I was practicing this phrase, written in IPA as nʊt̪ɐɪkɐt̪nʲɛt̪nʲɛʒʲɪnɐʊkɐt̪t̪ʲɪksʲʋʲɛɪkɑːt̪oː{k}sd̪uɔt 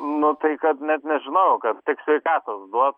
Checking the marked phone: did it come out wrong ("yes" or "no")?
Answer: yes